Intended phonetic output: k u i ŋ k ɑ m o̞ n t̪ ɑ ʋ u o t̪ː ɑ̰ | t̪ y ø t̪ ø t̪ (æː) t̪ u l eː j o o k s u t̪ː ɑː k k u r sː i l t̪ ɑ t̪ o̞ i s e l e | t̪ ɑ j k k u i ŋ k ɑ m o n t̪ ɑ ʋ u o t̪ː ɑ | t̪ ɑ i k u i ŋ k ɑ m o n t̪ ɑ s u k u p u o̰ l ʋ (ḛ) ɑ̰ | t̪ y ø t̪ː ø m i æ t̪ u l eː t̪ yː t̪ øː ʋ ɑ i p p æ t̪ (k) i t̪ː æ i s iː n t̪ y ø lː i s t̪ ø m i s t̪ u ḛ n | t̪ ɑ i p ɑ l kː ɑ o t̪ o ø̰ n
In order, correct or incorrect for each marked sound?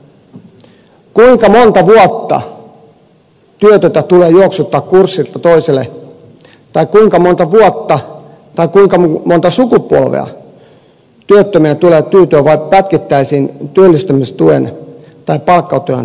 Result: incorrect: æ, correct, correct

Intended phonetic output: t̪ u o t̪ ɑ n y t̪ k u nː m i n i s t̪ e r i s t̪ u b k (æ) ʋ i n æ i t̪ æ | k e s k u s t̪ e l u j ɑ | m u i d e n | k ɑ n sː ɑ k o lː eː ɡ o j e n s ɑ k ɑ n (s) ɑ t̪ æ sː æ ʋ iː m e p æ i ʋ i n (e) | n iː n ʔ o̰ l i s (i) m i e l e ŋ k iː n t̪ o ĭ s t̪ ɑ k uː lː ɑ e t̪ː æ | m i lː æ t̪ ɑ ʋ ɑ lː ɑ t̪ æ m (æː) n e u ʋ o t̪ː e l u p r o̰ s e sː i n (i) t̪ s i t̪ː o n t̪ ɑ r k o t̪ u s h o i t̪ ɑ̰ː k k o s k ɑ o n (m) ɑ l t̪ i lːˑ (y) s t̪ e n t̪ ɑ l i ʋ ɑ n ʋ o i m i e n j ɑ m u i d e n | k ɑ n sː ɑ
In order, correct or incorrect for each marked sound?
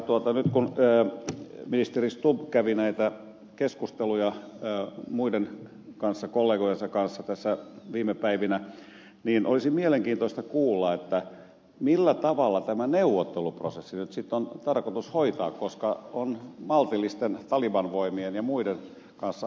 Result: correct, incorrect: sː, incorrect: æ, correct, incorrect: æ, incorrect: y, correct, incorrect: i

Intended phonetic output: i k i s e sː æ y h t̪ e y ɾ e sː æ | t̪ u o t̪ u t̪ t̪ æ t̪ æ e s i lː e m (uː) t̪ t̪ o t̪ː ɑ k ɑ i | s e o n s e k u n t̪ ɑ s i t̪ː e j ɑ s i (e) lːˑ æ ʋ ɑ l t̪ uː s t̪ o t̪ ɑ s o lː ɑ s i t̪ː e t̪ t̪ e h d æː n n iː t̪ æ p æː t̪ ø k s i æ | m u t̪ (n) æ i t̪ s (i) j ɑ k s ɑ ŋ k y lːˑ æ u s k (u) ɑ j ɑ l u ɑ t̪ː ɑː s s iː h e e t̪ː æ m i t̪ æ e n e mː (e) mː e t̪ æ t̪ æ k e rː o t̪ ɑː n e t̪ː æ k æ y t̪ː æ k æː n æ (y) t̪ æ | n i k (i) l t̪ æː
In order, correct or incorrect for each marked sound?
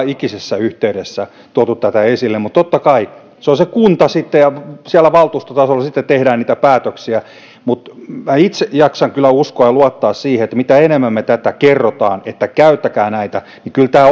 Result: incorrect: u, incorrect: æ, incorrect: m, incorrect: e, incorrect: o, incorrect: æ, incorrect: i, incorrect: y

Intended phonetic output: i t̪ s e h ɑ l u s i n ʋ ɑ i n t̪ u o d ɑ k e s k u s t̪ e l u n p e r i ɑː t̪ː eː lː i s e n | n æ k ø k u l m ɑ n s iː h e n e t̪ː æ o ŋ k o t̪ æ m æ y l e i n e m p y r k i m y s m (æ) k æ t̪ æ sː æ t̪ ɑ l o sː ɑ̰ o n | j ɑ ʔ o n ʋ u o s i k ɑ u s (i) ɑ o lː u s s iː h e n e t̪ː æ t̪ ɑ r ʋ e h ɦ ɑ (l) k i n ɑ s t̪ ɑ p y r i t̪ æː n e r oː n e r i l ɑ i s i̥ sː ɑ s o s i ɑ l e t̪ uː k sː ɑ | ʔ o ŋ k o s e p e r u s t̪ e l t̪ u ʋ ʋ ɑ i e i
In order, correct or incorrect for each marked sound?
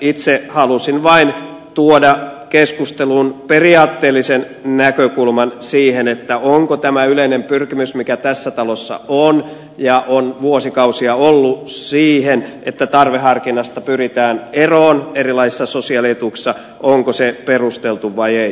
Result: incorrect: i, correct, incorrect: r

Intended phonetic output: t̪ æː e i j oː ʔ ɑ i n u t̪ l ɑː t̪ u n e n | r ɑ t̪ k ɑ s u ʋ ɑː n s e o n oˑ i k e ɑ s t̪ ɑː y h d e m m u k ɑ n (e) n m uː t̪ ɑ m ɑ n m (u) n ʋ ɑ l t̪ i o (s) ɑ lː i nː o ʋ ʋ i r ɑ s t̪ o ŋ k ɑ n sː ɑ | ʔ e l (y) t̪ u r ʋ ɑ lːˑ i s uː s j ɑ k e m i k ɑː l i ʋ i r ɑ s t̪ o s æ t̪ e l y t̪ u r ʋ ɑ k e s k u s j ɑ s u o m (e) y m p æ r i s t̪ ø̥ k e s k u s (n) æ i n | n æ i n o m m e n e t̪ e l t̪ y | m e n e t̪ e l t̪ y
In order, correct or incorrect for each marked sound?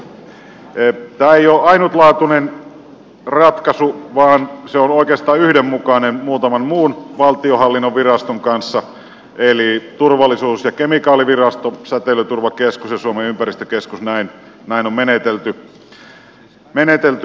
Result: correct, incorrect: uː, incorrect: h, incorrect: i, correct, correct

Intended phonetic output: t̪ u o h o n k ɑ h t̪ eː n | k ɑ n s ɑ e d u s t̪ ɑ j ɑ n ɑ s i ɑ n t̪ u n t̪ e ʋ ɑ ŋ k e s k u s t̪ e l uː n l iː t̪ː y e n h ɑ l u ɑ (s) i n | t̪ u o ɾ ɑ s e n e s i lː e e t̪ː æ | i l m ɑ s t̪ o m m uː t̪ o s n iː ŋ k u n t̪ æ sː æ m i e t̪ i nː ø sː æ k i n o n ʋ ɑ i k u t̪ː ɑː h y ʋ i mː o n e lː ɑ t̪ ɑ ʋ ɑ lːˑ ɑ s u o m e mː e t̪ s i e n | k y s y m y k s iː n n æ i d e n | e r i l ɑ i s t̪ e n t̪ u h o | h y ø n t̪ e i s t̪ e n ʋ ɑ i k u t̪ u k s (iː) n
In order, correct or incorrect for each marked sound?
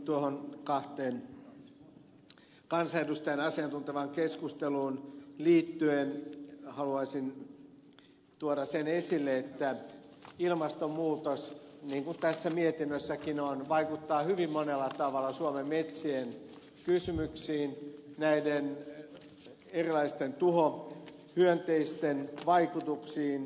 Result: correct, correct

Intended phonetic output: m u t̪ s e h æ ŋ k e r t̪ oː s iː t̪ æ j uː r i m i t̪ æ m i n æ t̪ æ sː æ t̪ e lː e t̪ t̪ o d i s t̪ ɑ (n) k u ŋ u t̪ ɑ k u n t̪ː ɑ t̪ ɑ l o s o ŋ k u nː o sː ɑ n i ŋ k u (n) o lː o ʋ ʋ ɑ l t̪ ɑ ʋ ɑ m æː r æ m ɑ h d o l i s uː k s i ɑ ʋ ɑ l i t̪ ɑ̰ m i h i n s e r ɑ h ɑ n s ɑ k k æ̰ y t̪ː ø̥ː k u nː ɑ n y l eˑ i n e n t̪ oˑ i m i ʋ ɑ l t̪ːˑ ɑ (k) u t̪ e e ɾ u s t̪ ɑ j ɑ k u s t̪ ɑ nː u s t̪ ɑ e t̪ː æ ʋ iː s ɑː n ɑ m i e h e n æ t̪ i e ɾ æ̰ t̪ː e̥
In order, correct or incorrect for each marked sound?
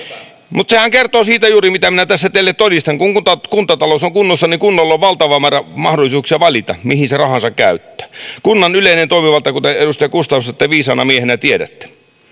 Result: incorrect: ŋ, incorrect: nː, correct

